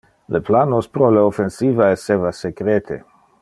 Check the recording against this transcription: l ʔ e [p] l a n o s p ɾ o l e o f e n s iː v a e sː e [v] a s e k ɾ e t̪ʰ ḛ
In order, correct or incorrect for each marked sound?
correct, correct

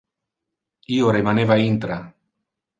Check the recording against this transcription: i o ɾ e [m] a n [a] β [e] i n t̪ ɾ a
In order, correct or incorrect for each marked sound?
correct, incorrect: e, incorrect: a

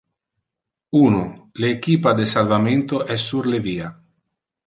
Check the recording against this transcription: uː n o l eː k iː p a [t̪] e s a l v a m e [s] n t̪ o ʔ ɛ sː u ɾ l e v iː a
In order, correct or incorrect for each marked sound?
incorrect: d̪, incorrect: none

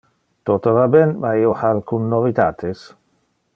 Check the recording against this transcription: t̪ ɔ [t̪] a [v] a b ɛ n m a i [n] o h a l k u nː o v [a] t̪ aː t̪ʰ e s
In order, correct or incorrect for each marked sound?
correct, correct, incorrect: none, incorrect: i

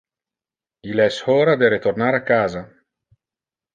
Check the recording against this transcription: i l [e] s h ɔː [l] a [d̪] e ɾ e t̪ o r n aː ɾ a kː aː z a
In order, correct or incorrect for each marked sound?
incorrect: ɛ, incorrect: ɾ, correct

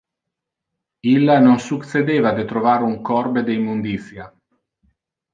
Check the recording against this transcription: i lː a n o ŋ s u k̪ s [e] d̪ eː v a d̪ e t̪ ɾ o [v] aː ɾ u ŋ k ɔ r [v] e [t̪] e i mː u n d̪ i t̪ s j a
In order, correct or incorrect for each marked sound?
correct, correct, incorrect: b, incorrect: d̪

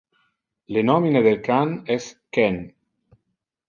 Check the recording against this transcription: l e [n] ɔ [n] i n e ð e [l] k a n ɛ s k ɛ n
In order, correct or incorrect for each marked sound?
correct, incorrect: m, correct

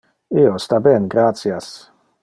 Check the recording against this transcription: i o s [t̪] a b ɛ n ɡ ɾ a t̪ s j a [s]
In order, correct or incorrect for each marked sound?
correct, correct

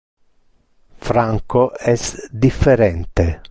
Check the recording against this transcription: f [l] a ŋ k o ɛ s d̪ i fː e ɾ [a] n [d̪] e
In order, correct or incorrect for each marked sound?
incorrect: ɾ, incorrect: ɛ, incorrect: t̪

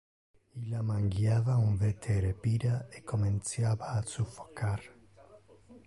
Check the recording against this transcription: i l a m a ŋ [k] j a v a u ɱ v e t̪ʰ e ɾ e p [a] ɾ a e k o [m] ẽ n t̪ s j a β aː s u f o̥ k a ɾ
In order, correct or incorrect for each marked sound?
incorrect: ɡ, incorrect: i, correct

